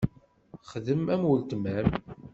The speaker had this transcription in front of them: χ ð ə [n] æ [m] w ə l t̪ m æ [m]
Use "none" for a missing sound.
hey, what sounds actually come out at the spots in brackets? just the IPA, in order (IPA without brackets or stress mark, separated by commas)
m, m, m